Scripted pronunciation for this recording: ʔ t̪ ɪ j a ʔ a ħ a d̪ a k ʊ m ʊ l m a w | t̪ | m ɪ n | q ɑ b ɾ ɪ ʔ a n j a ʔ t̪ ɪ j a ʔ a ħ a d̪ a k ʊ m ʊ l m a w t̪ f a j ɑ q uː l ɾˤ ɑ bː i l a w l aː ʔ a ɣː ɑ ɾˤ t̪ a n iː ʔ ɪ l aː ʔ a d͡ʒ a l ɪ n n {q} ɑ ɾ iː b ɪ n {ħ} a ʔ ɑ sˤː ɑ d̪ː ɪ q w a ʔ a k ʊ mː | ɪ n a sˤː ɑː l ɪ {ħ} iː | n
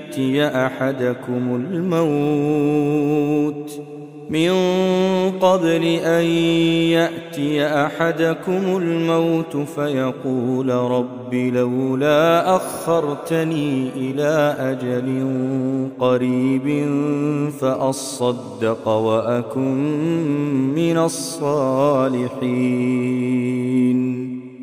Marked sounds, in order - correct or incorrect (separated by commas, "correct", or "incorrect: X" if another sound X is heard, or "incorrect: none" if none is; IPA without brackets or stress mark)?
correct, incorrect: f, correct